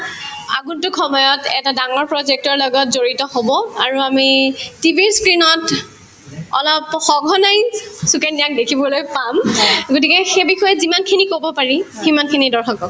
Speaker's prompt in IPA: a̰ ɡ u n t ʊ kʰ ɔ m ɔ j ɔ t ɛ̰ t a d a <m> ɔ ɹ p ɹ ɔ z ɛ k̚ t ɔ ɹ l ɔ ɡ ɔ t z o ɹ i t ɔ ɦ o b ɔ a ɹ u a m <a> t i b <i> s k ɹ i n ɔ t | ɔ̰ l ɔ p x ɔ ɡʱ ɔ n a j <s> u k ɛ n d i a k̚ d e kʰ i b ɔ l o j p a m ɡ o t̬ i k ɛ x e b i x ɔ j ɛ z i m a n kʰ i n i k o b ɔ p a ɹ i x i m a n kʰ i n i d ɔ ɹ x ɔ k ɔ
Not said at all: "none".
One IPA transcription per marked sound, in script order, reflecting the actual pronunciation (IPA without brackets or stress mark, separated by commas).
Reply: ŋ, i, i, s